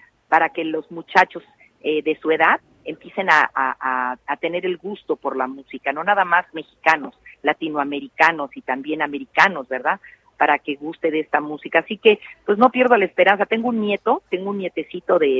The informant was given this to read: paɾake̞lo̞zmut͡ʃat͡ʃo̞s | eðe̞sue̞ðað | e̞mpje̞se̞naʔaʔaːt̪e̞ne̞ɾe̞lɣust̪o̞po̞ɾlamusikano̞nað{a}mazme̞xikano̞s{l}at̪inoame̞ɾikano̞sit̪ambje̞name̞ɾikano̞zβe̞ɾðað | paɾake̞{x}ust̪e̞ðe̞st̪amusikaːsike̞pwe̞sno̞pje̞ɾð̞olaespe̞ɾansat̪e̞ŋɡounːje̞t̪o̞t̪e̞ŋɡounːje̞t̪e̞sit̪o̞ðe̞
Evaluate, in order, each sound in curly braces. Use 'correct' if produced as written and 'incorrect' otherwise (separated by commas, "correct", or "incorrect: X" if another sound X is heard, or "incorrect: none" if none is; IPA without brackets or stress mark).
correct, correct, incorrect: ɣ